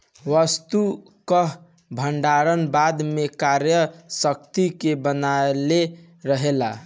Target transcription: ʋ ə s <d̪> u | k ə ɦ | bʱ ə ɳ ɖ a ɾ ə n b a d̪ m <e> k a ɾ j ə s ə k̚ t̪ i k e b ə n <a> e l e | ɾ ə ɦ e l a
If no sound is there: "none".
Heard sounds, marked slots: t̪, e, a

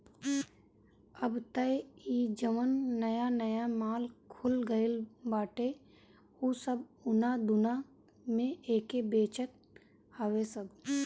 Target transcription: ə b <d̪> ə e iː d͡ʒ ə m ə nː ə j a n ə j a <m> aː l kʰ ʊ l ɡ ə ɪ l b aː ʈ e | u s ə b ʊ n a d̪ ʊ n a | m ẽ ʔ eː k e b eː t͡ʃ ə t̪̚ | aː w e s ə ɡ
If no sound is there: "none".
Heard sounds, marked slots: t̪, m

